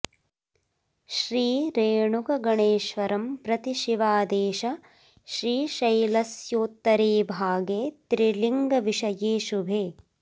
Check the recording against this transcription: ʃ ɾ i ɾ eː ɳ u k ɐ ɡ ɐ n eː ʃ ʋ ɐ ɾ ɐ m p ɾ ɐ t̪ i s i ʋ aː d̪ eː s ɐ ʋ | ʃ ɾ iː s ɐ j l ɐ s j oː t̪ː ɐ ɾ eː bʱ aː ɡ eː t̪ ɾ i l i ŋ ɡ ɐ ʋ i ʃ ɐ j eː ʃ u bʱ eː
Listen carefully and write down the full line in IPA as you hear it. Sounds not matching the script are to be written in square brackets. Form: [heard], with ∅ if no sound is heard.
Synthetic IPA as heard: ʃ ɾ [iː] ɾ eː ɳ u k ɐ ɡ ɐ [ɳ] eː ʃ ʋ ɐ ɾ ɐ m p ɾ ɐ t̪ i [ʃ] i ʋ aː d̪ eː [ʃ] ɐ [∅] | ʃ ɾ iː [ʃ] ɐ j l ɐ s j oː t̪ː ɐ ɾ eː bʱ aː ɡ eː t̪ ɾ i l i ŋ ɡ ɐ ʋ i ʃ ɐ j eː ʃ u bʱ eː